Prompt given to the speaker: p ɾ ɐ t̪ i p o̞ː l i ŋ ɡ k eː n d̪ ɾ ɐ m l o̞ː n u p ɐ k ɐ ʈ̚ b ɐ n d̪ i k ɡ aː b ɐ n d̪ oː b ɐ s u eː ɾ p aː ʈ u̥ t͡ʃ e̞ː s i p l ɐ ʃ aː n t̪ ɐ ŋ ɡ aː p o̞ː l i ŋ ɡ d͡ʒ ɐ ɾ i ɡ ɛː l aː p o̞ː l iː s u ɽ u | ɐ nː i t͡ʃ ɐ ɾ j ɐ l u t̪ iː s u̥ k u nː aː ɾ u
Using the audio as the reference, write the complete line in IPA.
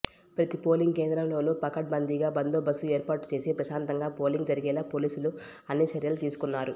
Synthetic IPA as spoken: p ɾ ɐ t̪ i p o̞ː l i ŋ ɡ k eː n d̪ ɾ ɐ m l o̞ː n u p ɐ k ɐ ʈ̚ b ɐ n d̪ i ɡ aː b ɐ n d̪ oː b ɐ s u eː ɾ p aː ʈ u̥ t͡ʃ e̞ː s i p ɾ ɐ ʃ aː n t̪ ɐ ŋ ɡ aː p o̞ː l i ŋ ɡ d͡ʒ ɐ ɾ i ɡ ɛː l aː p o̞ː l iː s u l u | ɐ nː i t͡ʃ ɐ ɾ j ɐ l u t̪ iː s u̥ k u nː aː ɾ u